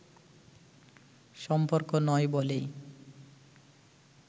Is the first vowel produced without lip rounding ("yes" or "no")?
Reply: no